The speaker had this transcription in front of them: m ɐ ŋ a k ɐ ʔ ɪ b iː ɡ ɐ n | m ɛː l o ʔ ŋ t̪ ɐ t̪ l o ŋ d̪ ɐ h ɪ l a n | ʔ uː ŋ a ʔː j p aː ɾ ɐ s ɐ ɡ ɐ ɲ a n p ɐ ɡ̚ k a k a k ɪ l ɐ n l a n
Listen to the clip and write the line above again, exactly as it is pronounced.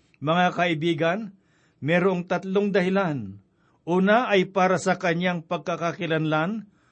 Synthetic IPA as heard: m ɐ ŋ a k ɐ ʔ ɪ b iː ɡ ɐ n | m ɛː ɾ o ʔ ŋ t̪ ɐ t̪ l o ŋ d̪ ɐ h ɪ l a n | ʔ uː n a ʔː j p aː ɾ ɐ s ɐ k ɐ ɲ a ŋ p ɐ ɡ̚ k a k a k ɪ l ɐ n l a n